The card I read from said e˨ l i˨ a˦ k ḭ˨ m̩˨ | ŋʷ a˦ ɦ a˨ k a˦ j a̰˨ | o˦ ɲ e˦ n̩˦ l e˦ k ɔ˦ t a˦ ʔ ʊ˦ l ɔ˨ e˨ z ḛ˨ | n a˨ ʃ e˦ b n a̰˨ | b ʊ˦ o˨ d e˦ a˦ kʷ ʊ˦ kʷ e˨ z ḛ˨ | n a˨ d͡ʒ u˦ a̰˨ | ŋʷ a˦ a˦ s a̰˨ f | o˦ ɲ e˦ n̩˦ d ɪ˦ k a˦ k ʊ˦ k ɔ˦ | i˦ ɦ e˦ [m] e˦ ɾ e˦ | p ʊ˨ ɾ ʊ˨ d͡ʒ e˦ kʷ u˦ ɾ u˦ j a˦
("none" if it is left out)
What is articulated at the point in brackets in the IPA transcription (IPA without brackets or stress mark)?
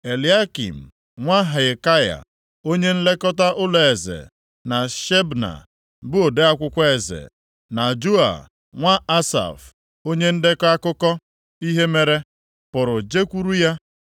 m